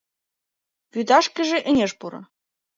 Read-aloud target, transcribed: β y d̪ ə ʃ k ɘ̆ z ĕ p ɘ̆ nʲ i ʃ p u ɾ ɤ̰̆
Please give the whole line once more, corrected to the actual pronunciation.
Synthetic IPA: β y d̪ ɑ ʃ k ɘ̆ ʒ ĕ ʔ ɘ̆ nʲ e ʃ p u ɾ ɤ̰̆